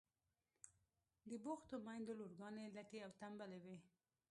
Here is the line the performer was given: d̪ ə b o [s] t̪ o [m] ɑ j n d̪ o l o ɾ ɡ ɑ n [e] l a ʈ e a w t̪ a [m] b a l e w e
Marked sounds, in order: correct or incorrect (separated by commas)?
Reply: incorrect, correct, correct, correct